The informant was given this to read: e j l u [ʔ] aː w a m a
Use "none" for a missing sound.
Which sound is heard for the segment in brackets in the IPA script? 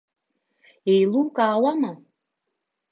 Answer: k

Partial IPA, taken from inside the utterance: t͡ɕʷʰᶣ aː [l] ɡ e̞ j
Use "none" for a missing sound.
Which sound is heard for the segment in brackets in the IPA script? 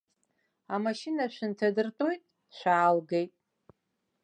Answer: l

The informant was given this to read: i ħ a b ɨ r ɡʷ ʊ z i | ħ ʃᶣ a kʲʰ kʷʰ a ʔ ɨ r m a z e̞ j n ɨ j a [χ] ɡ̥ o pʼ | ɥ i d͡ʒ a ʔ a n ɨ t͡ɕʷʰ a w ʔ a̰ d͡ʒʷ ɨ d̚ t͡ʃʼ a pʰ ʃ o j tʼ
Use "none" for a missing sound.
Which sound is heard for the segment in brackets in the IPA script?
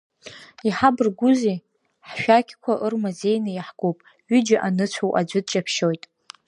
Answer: ħ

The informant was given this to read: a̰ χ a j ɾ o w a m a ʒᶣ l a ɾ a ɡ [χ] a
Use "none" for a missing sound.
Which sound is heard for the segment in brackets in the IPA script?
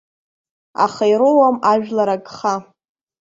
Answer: χ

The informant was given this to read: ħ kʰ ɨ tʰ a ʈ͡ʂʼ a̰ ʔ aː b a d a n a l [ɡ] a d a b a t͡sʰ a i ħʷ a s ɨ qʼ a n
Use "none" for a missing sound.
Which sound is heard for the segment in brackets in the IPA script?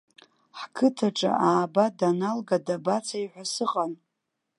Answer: ɡ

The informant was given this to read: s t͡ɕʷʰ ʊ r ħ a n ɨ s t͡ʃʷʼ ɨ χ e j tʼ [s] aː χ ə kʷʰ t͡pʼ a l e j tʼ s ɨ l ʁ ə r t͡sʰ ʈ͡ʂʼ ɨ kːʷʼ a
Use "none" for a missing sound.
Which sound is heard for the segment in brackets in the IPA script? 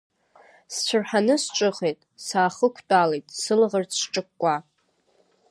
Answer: s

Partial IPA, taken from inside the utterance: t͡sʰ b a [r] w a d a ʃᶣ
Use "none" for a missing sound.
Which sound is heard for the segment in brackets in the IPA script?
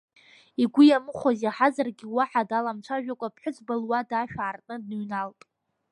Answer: l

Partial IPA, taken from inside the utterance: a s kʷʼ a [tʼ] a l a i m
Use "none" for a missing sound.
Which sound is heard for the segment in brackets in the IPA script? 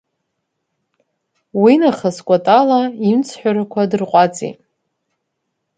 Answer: tʼ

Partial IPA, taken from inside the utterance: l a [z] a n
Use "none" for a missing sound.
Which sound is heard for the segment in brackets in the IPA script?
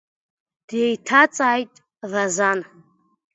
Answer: z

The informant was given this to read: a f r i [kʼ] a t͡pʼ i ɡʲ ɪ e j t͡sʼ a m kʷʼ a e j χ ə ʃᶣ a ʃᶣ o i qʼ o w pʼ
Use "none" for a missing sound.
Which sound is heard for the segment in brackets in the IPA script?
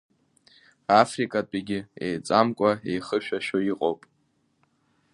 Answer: kʼ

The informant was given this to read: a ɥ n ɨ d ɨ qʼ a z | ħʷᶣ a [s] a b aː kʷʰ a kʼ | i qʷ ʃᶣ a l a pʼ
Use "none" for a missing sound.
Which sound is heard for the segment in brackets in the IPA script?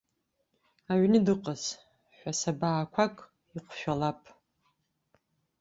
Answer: s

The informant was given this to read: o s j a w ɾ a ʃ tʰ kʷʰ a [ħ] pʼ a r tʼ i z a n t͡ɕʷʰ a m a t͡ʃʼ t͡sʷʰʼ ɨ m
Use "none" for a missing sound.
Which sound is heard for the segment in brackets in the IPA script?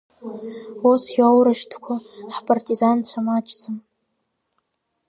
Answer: ħ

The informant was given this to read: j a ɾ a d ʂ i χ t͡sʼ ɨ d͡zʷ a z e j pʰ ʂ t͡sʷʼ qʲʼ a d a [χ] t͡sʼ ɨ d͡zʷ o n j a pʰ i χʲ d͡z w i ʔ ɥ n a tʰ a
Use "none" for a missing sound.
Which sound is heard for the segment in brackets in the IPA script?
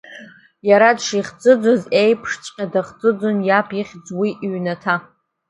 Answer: χ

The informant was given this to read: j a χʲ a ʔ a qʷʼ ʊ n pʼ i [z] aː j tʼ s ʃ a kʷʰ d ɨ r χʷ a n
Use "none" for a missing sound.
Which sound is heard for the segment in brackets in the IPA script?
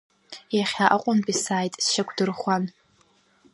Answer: s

